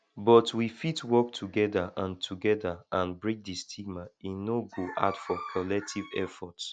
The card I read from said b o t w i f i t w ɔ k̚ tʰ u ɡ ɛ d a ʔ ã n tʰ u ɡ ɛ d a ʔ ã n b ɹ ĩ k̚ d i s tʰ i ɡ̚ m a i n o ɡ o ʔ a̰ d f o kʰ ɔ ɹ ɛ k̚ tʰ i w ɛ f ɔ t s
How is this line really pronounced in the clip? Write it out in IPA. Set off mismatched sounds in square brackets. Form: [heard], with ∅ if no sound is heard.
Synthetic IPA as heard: b [ɔ] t w i f i t w ɔ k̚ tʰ u ɡ ɛ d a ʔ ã n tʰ u ɡ ɛ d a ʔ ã n b ɹ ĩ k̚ d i s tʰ i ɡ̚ m a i n o ɡ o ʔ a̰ d f [ɔ] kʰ ɔ [l] ɛ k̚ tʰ i [v] ɛ f ɔ t s